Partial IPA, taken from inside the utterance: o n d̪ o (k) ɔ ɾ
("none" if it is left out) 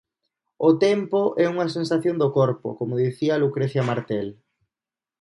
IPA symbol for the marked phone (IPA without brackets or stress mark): k